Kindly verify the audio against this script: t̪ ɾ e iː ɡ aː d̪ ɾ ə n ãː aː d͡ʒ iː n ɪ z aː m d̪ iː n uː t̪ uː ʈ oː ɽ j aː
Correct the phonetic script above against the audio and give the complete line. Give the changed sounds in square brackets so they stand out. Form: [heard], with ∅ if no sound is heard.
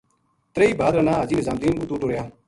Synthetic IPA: t̪ ɾ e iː [b] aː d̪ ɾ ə n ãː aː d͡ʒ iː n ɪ z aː m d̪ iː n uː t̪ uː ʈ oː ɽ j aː